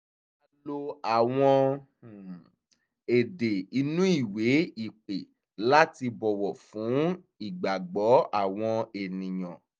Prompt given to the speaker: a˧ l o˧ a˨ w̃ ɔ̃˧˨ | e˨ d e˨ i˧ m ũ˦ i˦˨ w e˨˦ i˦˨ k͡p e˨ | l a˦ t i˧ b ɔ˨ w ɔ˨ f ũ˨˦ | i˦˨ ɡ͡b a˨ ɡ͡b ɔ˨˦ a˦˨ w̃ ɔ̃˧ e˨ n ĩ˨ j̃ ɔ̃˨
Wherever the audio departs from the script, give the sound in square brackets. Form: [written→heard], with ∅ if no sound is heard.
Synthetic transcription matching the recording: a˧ l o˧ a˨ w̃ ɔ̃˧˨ | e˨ d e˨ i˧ [m→n] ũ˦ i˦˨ w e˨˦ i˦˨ k͡p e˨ | l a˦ t i˧ b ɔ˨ w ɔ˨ f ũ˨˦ | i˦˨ ɡ͡b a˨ ɡ͡b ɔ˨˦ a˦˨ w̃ ɔ̃˧ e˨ n ĩ˨ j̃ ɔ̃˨